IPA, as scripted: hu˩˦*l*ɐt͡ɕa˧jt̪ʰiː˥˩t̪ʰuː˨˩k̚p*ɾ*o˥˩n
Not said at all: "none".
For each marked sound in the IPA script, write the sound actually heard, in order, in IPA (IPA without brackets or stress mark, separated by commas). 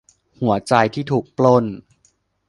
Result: none, l